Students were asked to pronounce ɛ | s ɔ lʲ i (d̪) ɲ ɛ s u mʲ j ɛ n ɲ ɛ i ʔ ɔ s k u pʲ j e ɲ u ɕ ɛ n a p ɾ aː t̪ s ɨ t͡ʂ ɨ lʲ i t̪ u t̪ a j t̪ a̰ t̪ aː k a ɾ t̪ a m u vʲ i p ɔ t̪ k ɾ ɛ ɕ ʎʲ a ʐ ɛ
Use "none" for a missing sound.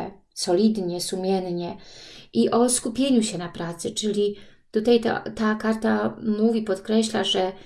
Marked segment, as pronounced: d̪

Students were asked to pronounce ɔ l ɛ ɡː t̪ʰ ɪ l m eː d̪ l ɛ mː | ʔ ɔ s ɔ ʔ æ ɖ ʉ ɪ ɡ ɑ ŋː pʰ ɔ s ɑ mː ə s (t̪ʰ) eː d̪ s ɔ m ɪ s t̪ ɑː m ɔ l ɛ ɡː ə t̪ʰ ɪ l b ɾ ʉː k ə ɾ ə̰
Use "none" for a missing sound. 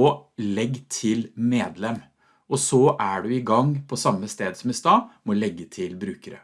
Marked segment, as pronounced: t̪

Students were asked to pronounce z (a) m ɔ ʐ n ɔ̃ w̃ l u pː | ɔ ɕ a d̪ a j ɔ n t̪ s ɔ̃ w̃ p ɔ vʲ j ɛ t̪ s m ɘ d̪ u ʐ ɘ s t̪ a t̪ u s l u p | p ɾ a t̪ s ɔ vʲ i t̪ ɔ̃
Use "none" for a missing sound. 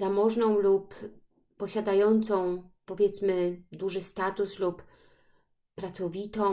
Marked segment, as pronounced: a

